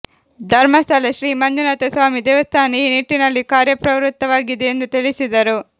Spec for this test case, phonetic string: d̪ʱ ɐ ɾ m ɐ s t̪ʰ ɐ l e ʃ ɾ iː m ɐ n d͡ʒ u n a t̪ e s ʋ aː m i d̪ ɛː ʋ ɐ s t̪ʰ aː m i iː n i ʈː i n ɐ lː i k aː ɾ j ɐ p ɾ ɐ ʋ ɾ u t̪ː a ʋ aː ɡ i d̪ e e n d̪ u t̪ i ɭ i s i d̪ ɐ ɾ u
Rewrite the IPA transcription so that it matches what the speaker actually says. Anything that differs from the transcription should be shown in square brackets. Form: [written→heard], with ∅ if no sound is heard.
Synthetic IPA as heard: d̪ʱ ɐ ɾ m ɐ s t̪ʰ ɐ l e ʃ ɾ iː m ɐ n d͡ʒ u n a t̪ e s ʋ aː m i d̪ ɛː ʋ ɐ s t̪ʰ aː [m→n] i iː n i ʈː i n ɐ lː i k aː ɾ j ɐ p ɾ ɐ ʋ ɾ u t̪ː [a→ɐ] ʋ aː ɡ i d̪ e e n d̪ u t̪ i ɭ i s i d̪ ɐ ɾ u